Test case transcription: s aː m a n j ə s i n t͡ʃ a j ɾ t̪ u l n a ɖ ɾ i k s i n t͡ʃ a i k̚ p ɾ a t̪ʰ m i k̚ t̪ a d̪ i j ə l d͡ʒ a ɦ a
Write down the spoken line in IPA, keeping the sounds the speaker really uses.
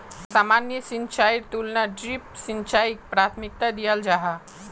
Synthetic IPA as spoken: s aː m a n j ə s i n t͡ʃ a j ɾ t̪ u l n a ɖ ɾ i p s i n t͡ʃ a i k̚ p ɾ a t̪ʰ m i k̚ t̪ a d̪ i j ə l d͡ʒ a ɦ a

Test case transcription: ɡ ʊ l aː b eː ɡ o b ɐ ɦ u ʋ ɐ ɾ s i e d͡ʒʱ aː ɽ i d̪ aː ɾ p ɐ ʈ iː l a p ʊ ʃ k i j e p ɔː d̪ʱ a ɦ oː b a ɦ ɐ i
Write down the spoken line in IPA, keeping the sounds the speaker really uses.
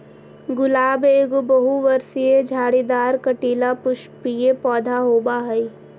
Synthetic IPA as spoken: ɡ ʊ l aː b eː ɡ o b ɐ ɦ u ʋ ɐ ɾ s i e d͡ʒʱ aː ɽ i d̪ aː ɾ k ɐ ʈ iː l a p ʊ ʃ p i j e p ɔː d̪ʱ a ɦ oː b a ɦ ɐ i

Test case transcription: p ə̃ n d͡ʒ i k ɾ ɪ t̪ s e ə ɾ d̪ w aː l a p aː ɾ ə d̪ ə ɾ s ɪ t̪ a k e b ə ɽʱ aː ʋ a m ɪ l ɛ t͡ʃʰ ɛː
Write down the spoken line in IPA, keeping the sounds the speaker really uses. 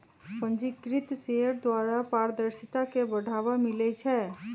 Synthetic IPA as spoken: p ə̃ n d͡ʒ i k ɾ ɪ t̪ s e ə ɾ d̪ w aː ɾ a p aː ɾ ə d̪ ə ɾ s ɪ t̪ a k e b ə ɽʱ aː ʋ a m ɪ l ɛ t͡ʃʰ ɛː

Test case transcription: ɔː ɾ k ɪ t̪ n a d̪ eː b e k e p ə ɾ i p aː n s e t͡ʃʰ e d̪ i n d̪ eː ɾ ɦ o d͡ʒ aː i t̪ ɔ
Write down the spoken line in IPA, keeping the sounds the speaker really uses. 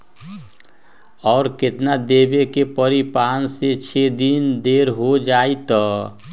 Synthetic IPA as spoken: ɔː ɾ k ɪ t̪ n a d̪ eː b e k e p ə ɾ i p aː n s e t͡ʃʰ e d̪ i n d̪ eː ɾ ɦ o d͡ʒ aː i t̪ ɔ

